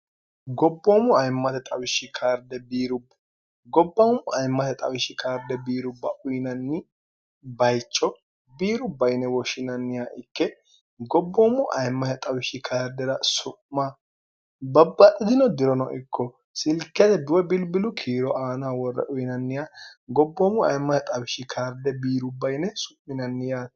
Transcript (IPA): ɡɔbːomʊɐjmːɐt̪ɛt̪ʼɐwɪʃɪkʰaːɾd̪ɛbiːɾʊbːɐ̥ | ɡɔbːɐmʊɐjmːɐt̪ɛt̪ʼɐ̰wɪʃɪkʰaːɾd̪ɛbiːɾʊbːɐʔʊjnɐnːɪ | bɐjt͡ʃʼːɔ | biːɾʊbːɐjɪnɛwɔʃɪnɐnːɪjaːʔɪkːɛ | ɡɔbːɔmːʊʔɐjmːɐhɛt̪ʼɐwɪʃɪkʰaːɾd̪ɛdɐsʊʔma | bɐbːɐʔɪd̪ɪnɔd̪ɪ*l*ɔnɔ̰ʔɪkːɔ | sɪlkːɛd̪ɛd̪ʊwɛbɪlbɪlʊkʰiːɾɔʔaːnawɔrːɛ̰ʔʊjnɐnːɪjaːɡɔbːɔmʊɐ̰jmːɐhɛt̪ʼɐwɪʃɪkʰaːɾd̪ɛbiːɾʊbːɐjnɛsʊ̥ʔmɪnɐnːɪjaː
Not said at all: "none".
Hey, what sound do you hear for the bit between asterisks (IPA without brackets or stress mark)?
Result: ɾ